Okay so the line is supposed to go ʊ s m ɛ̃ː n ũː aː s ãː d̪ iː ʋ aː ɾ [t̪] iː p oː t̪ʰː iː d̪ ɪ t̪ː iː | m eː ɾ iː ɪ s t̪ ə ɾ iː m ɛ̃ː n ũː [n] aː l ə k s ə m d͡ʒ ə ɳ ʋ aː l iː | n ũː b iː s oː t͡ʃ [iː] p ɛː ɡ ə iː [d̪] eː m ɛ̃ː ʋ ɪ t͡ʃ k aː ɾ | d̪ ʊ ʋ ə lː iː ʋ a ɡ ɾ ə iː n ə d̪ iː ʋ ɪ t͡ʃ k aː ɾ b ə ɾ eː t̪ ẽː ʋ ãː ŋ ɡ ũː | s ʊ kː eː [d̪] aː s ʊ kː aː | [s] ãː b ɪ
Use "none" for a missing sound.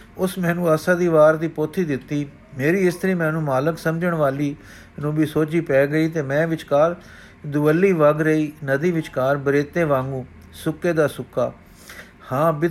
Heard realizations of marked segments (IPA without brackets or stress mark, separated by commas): d̪, m, iː, t̪, d̪, h